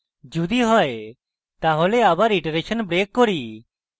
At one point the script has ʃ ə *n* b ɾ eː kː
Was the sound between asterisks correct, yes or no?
yes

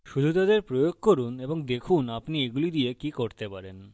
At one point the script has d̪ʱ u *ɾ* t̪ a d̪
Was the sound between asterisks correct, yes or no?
no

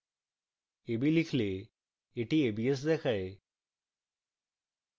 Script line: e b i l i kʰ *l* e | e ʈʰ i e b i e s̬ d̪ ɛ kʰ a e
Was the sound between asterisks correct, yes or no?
yes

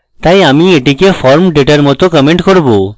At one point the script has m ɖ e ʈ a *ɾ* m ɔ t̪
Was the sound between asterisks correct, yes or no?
yes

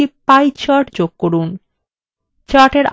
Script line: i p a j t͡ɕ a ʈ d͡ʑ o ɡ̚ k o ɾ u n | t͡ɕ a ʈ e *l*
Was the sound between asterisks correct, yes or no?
no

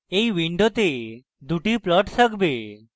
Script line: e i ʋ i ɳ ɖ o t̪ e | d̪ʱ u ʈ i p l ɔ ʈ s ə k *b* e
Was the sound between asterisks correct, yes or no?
yes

